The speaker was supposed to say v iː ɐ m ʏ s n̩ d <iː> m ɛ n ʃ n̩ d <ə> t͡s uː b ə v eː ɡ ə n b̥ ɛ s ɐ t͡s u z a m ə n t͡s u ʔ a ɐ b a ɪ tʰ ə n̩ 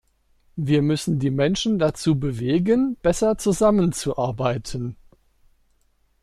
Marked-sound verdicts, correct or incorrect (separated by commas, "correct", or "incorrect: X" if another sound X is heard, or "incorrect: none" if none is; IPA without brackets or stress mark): correct, incorrect: a